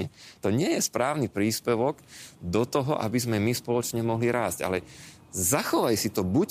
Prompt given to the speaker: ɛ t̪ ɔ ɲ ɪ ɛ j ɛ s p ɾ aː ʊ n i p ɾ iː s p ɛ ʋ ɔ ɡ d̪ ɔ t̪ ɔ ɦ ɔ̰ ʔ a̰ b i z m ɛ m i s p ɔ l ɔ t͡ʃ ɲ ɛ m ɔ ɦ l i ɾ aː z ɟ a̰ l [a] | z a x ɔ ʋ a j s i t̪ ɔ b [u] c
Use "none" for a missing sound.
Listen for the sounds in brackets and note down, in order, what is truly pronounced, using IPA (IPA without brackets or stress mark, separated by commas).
ɛ, u